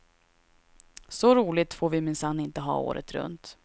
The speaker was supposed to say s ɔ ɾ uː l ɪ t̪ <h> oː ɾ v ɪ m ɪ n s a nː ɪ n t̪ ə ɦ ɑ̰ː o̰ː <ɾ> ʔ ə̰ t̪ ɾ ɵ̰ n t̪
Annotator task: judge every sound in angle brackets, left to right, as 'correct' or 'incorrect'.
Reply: incorrect, correct

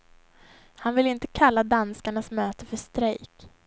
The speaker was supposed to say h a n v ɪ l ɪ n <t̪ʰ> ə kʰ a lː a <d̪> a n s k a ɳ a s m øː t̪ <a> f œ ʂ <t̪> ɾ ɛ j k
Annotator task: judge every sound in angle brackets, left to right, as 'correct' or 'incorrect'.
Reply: incorrect, correct, incorrect, correct

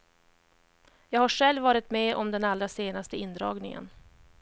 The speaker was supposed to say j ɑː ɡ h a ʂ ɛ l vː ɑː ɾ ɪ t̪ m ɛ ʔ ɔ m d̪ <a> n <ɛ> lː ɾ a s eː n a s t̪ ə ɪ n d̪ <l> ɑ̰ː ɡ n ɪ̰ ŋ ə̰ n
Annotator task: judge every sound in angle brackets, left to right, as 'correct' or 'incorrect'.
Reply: incorrect, incorrect, incorrect

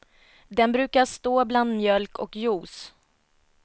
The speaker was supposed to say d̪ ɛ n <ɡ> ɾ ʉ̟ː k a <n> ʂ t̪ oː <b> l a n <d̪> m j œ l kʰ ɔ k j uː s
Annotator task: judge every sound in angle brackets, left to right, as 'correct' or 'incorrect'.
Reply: incorrect, incorrect, correct, correct

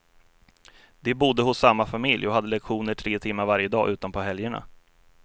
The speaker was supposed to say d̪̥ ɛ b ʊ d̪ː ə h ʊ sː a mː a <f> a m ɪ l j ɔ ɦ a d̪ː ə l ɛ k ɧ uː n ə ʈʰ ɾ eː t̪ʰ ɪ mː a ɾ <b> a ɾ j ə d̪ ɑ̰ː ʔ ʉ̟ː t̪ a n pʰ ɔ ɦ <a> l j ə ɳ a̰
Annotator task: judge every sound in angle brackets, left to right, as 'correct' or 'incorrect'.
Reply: correct, incorrect, incorrect

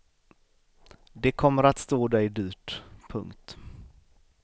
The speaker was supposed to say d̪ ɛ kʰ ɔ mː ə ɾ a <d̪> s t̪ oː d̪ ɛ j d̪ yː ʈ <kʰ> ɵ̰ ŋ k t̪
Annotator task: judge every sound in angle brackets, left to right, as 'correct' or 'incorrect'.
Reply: incorrect, incorrect

